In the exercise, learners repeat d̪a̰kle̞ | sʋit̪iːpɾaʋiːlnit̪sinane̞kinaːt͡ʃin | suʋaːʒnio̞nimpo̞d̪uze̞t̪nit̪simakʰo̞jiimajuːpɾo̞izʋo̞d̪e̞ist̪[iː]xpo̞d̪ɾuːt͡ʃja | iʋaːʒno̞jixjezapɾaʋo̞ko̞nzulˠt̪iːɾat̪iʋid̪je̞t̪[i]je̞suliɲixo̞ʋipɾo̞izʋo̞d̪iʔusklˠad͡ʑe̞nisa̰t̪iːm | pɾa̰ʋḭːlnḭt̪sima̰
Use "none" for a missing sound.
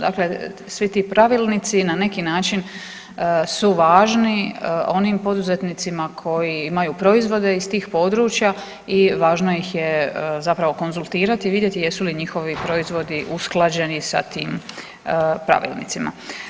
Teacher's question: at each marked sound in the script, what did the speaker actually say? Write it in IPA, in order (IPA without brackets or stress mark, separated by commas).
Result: iː, i